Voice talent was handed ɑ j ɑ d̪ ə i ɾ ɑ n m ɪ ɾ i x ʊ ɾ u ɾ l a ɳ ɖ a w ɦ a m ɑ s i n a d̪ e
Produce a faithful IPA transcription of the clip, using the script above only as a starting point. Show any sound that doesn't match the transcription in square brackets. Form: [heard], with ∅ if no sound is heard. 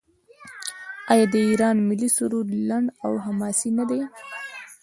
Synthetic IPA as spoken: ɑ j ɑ d̪ ə i ɾ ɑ n m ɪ [l] i [s] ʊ ɾ u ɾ l a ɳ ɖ a w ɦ a m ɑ s i n a d̪ e